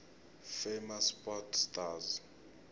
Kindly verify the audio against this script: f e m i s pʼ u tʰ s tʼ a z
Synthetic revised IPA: f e m a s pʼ ɔ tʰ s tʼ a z